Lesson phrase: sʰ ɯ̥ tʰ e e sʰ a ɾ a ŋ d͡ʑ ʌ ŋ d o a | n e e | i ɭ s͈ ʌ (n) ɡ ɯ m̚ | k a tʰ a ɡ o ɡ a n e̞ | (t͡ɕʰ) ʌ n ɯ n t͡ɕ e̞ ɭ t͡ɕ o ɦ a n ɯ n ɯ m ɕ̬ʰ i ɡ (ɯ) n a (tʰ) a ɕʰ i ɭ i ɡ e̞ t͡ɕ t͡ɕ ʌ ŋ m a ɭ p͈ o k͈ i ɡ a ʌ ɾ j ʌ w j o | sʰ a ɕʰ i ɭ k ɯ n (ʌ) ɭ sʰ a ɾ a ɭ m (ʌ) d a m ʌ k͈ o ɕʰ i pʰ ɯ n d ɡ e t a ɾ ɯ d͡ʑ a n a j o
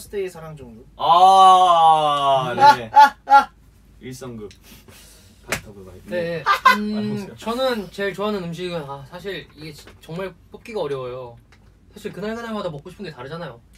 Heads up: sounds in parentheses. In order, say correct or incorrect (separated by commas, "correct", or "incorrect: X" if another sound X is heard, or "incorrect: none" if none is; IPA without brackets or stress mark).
incorrect: ŋ, incorrect: t͡ɕ, correct, incorrect: sʰ, incorrect: a, incorrect: a